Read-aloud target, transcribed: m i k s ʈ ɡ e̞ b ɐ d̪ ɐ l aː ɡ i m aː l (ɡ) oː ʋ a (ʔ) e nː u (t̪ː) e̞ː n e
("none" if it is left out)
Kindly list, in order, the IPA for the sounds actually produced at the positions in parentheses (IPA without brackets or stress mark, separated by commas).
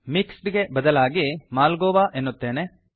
ɡ, ʔ, t̪ː